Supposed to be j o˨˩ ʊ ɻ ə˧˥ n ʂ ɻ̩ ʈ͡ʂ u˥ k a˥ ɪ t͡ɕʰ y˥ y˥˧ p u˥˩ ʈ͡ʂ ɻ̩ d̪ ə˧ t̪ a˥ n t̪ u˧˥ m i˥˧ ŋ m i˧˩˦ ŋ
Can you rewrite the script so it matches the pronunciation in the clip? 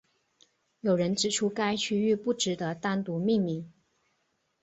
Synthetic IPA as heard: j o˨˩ ʊ ɻ ə˧˥ n ʈ͡ʂ ɻ̩ ʈ͡ʂʰ u˥ k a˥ ɪ t͡ɕʰ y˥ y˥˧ p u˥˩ ʈ͡ʂ ɻ̩ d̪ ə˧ t̪ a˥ n t̪ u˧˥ m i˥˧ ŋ m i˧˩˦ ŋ